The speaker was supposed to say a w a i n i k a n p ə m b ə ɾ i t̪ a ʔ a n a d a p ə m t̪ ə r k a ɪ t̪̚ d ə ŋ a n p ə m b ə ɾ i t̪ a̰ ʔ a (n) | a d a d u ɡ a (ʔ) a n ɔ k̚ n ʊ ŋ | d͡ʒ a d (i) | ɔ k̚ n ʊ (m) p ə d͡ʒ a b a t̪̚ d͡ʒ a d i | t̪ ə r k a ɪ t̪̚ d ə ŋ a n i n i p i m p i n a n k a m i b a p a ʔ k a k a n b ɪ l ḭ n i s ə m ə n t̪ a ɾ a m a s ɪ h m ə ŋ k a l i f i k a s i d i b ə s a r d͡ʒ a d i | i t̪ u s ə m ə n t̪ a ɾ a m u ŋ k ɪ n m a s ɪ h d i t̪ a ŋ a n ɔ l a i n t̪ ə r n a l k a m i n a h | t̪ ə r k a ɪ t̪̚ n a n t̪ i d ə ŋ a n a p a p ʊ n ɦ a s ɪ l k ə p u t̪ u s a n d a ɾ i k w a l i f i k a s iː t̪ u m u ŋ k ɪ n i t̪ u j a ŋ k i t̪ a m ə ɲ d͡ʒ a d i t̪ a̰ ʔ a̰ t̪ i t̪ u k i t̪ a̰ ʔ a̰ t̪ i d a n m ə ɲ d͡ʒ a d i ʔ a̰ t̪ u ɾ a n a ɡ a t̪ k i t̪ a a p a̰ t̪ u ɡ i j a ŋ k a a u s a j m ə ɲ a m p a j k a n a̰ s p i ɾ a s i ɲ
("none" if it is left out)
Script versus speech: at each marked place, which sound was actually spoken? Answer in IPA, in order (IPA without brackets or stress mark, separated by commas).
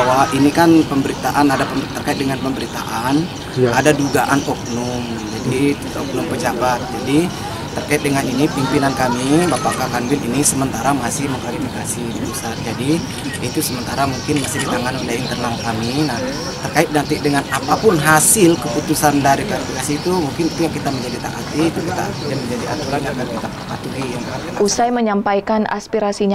n, ʔ, i, ŋ